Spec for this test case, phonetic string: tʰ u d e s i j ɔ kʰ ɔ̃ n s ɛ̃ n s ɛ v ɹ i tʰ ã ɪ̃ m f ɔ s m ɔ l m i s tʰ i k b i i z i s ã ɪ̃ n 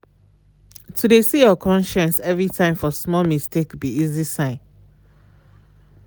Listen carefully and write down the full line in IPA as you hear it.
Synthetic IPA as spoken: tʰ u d e s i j ɔ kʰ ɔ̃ n ʃ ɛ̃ n s ɛ v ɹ i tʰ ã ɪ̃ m f ɔ s m ɔ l m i s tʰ e k b i i z i s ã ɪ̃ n